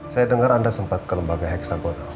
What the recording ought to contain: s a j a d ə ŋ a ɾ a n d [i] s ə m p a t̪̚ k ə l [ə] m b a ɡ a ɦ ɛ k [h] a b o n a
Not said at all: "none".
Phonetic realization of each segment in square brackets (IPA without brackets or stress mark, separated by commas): a, ə, s